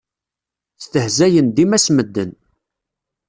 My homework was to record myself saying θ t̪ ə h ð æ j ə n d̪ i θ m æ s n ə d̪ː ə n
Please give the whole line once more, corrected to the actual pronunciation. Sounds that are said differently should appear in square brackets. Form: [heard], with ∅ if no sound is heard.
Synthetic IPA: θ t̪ ə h [z] æ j ə n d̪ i [∅] m æ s [m] ə d̪ː ə n

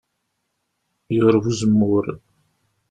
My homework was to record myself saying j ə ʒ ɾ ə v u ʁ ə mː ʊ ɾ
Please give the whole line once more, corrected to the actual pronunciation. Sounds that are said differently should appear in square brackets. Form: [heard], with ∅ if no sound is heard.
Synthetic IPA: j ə [ʁ] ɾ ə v u [z] ə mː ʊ ɾ

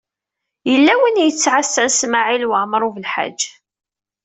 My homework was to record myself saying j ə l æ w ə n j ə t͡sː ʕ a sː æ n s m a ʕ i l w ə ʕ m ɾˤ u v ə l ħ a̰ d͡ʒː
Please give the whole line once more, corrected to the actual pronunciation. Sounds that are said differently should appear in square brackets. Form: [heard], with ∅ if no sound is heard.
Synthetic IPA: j ə [lː] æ w ə n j ə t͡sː ʕ a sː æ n s m a ʕ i l w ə ʕ m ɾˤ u v ə l ħ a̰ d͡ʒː

